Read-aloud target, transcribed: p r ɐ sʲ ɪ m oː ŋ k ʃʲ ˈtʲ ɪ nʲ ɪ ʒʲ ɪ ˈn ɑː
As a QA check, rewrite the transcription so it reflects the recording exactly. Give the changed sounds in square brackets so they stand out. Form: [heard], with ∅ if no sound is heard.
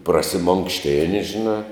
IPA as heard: p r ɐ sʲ ɪ m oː ŋ k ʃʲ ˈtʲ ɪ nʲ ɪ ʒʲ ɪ ˈn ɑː